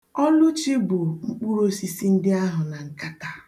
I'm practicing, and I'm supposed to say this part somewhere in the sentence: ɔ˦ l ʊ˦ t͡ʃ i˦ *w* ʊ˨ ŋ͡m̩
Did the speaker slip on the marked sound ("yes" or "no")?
yes